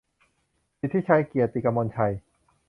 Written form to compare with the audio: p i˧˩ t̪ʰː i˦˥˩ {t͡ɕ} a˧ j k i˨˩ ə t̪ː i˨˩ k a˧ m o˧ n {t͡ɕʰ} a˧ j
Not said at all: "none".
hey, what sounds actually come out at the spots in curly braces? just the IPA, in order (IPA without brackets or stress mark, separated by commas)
t͡ɕʰ, t͡ɕʰ